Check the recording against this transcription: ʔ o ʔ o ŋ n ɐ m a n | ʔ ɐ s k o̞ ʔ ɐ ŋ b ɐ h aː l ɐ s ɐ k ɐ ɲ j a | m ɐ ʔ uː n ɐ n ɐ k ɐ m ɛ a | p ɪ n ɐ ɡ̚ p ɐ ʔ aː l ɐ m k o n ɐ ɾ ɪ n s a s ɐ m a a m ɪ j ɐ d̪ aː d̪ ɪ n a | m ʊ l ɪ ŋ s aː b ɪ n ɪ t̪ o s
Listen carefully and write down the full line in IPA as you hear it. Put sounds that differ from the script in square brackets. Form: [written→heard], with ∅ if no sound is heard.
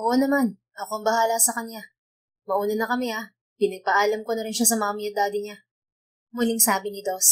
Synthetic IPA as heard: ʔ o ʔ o [ŋ→∅] n ɐ m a n | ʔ ɐ [s→∅] k o̞ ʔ ɐ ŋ b ɐ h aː l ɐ s ɐ k ɐ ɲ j a | m ɐ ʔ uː n ɐ n ɐ k ɐ m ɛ a | p ɪ n ɐ ɡ̚ p ɐ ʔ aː l ɐ m k o n ɐ ɾ ɪ n [s→ʃ] a s ɐ m a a m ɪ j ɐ d̪ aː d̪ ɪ [n→ɲ] a | m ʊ l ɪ ŋ s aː b ɪ n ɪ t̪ o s